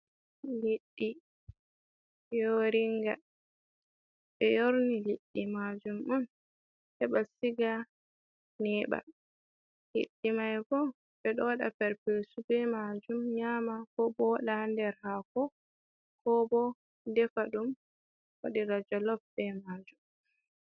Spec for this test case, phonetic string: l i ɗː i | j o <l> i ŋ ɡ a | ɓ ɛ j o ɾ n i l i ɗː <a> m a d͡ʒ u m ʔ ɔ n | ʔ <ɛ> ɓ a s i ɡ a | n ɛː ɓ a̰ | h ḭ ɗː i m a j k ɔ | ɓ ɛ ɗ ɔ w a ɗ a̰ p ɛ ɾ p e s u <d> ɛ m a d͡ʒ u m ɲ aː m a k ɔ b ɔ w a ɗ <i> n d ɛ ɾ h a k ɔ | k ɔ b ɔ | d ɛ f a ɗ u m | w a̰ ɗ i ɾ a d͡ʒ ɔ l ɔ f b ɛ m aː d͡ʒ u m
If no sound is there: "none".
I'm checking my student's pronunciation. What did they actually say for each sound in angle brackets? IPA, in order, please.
ɾ, i, ɛ, b, a

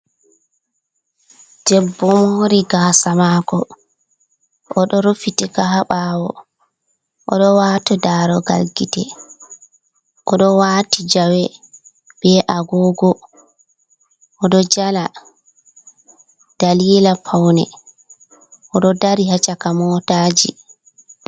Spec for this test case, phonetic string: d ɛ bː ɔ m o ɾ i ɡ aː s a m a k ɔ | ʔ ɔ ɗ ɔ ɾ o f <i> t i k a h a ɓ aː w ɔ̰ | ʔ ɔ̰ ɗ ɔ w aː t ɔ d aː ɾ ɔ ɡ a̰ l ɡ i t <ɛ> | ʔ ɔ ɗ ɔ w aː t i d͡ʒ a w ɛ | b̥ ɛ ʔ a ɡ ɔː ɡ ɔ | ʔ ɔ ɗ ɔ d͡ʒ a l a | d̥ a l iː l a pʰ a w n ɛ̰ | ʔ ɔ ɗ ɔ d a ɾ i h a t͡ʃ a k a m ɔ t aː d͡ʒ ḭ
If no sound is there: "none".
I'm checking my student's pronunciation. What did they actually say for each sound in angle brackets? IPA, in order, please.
i, ɛ

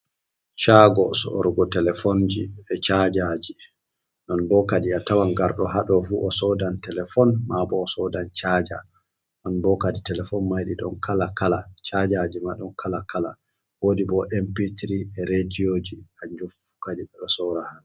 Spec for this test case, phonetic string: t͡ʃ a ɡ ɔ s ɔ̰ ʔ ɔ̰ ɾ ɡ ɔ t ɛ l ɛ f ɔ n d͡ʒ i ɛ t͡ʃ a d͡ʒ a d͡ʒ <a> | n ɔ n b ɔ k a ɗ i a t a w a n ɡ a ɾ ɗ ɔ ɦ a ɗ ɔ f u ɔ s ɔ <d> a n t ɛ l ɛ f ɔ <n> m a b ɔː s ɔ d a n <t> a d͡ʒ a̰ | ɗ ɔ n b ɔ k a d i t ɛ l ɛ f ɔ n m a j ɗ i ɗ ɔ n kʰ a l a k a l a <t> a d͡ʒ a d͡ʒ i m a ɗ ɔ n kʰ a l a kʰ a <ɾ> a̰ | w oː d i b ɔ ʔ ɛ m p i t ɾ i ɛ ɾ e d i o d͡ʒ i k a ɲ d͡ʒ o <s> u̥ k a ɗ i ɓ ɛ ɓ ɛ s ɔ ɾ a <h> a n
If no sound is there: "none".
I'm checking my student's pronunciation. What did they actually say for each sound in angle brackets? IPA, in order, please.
i, d, n, t͡ʃ, t͡ʃ, l, f, h

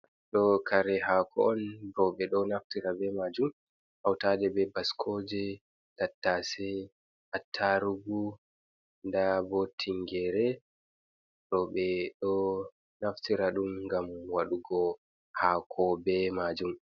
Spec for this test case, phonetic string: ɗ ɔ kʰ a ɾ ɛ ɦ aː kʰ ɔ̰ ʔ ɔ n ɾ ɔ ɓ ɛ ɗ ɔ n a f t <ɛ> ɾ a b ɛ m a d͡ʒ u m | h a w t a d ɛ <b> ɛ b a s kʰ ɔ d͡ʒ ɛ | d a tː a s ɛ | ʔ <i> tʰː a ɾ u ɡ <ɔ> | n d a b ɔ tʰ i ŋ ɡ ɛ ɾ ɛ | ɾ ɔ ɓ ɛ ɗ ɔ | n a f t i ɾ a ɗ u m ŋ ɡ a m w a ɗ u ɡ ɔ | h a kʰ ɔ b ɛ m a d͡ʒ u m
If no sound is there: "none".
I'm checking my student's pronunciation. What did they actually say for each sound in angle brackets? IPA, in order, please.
i, b, a, u

